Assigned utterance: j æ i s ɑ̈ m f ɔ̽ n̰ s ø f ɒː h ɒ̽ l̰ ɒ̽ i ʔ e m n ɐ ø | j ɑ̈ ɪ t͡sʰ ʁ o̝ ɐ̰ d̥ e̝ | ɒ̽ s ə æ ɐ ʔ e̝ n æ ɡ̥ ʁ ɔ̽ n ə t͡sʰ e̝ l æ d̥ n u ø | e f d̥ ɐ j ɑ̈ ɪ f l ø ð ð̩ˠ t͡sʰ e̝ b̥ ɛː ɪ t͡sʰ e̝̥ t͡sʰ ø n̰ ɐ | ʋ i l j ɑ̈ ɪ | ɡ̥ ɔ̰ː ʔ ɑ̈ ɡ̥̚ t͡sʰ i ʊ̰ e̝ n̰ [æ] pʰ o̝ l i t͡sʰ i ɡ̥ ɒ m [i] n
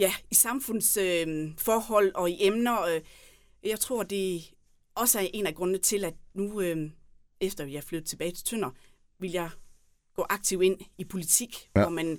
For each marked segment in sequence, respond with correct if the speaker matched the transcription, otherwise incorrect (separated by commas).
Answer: incorrect, incorrect